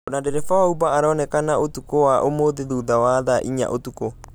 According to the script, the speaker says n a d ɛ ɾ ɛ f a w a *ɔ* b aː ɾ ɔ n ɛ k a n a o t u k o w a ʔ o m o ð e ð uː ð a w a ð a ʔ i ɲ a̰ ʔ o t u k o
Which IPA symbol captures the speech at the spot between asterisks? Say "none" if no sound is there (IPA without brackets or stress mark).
u